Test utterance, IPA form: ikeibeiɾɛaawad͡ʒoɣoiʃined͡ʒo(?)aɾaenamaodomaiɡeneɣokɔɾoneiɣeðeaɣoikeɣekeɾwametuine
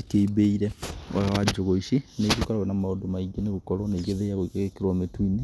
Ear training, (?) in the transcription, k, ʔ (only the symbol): k